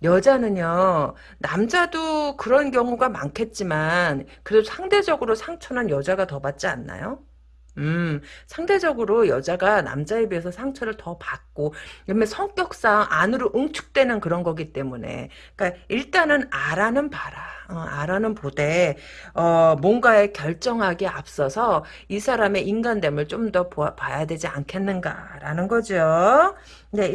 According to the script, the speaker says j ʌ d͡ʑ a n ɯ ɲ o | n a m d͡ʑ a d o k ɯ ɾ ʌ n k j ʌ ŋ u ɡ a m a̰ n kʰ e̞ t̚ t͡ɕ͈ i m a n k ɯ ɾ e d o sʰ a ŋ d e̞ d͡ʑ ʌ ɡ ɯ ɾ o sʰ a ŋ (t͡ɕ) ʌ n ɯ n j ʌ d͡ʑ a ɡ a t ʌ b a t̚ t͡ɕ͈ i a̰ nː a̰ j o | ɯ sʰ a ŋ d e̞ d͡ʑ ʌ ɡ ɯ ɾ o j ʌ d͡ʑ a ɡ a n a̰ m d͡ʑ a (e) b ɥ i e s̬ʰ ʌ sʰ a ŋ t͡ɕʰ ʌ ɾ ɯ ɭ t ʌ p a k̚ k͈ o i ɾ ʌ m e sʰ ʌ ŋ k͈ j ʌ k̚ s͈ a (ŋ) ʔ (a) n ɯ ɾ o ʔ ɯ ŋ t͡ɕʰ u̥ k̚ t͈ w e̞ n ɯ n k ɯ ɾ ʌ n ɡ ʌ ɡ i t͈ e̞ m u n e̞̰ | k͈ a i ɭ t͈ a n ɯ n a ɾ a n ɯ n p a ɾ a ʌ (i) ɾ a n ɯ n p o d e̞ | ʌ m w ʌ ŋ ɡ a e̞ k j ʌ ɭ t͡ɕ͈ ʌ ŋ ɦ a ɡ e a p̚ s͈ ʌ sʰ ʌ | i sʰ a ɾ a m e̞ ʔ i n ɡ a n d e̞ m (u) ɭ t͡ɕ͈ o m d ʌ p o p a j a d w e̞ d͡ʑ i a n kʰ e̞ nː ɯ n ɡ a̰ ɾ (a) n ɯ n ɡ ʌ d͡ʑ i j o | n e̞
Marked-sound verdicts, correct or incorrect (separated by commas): incorrect, correct, correct, correct, incorrect, incorrect, correct